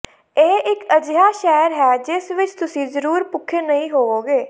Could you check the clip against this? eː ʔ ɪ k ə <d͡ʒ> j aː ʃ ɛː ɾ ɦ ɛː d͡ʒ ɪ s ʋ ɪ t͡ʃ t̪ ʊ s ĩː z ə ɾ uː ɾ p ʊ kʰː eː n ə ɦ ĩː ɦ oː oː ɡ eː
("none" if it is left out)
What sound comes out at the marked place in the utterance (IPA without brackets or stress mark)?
d͡ʒ